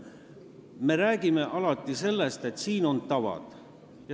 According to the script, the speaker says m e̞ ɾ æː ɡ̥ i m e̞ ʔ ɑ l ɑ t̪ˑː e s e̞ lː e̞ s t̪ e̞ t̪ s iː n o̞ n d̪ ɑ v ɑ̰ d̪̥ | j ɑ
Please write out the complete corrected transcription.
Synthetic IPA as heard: m e̞ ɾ æː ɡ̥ i m e̞ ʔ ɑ l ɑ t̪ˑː i s e̞ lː e̞ s t̪ e̞ t̪ s iː n o̞ n t̪ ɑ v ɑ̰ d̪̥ | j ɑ